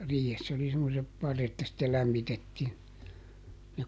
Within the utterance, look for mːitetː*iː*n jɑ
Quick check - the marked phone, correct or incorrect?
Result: correct